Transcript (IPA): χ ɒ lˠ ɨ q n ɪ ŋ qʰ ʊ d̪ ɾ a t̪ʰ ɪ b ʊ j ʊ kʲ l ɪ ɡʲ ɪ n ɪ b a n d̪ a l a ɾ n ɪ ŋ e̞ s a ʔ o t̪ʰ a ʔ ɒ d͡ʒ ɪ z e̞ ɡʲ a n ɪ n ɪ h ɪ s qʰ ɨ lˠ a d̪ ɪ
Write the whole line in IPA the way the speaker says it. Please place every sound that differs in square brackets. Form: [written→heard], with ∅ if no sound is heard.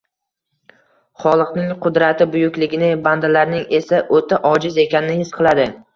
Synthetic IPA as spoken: χ ɒ lˠ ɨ q n ɪ ŋ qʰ ʊ d̪ ɾ a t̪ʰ ɪ b ʊ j ʊ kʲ l ɪ ɡʲ ɪ n ɪ b a n d̪ a l a ɾ n ɪ ŋ e̞ s a ʔ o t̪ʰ a ʔ ɒ d͡ʒ ɪ z e̞ [ɡʲ→kʲ] a n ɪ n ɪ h ɪ s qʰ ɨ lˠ a d̪ ɪ